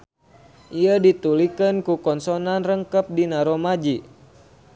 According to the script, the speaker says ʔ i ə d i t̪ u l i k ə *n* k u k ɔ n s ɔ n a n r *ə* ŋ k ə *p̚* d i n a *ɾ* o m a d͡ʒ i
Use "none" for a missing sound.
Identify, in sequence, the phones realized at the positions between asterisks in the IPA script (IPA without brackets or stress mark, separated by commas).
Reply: n, ə, p̚, ɾ